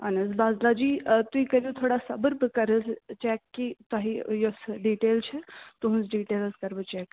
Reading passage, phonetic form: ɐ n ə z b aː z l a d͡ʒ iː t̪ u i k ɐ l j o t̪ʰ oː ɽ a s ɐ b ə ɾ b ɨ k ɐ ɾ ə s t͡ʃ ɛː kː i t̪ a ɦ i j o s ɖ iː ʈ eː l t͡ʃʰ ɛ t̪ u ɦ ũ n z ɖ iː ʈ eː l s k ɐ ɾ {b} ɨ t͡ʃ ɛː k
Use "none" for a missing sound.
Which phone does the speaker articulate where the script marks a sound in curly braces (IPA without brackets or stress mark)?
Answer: b